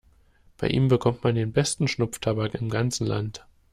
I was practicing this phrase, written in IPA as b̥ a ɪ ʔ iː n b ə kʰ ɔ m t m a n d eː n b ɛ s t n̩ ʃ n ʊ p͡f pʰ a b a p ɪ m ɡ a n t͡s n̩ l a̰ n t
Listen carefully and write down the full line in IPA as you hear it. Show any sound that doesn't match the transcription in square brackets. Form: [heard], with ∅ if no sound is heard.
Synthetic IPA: b̥ a ɪ ʔ iː [m] b ə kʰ ɔ m t m a n d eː n b ɛ s t n̩ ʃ n ʊ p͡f [tʰ] a b a [k] ɪ m ɡ a n t͡s n̩ l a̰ n t